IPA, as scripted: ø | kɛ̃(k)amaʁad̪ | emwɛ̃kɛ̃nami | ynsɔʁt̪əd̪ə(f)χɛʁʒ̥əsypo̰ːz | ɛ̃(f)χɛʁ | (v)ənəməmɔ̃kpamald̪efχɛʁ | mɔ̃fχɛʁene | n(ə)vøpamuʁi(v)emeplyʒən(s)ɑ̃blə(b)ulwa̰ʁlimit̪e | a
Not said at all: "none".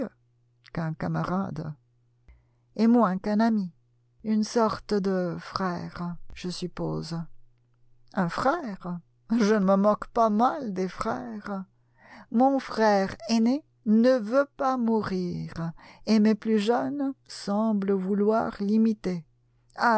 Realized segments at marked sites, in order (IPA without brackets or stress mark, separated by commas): k, f, f, ʒ, ə, ʁ, s, v